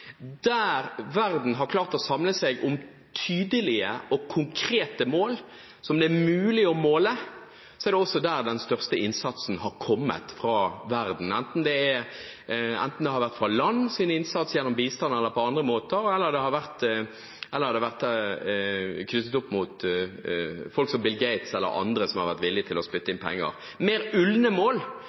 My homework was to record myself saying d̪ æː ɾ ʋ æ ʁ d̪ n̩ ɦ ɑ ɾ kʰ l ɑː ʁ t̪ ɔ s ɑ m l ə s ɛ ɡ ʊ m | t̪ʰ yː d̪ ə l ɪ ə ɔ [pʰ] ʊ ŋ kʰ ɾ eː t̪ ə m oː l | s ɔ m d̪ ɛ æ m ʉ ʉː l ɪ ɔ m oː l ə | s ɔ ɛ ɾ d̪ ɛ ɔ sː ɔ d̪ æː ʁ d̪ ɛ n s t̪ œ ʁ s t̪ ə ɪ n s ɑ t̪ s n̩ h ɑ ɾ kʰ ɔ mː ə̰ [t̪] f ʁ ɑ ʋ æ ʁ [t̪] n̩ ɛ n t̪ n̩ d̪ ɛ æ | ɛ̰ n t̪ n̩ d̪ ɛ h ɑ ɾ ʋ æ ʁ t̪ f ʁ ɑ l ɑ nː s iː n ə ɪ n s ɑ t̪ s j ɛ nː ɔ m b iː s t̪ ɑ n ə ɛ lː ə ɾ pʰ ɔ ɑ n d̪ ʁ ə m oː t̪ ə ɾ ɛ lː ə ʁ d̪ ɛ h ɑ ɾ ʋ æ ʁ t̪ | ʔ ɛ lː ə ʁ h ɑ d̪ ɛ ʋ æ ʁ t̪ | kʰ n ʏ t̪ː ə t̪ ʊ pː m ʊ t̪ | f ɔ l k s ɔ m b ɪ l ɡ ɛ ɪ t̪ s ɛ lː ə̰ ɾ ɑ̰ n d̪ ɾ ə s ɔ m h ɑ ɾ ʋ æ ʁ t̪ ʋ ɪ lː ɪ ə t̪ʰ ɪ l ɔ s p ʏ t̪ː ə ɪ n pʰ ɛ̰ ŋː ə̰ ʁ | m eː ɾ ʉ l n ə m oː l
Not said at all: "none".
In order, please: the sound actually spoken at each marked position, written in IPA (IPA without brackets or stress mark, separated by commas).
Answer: kʰ, t̪, d̪